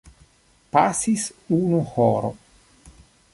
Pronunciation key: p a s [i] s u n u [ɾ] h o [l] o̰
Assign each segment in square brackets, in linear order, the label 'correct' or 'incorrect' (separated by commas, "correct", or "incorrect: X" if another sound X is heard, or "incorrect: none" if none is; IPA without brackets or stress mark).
correct, incorrect: none, incorrect: ɾ